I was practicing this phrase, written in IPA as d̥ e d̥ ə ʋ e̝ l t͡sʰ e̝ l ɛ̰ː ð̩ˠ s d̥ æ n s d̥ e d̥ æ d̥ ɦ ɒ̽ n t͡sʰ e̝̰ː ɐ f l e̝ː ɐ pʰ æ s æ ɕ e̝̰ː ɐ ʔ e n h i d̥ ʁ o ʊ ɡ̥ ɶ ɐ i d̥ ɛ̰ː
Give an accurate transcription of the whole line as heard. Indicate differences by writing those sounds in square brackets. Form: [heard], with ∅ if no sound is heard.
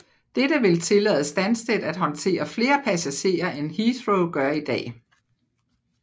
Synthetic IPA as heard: d̥ e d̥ ə ʋ e̝ l t͡sʰ e̝ l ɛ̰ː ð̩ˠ s d̥ æ n s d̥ e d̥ æ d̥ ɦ ɒ̽ n t͡sʰ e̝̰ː ɐ f l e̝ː ɐ pʰ æ s æ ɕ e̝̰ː ɐ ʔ e n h i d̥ ʁ o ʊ ɡ̥ ɶ ɐ i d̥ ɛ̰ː